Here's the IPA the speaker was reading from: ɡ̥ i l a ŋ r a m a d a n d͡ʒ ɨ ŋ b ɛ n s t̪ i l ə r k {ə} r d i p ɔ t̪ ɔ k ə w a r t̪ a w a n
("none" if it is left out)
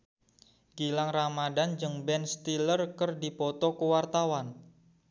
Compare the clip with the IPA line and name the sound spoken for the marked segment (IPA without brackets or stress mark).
ə